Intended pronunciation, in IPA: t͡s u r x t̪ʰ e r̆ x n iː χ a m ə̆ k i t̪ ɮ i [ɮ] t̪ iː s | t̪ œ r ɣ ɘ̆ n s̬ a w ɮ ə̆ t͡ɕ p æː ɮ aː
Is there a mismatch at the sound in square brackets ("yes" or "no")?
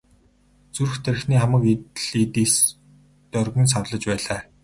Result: yes